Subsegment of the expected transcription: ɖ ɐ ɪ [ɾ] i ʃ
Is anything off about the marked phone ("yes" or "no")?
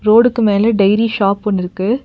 no